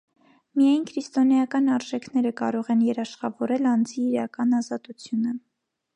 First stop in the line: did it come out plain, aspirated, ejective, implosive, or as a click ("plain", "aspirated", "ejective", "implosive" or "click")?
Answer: aspirated